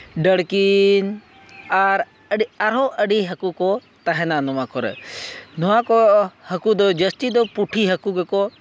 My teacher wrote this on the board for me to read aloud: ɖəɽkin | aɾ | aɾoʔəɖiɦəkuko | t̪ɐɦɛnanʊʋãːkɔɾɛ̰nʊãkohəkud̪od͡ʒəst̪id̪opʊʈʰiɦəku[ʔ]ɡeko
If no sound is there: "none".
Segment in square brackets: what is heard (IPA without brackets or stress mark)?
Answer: none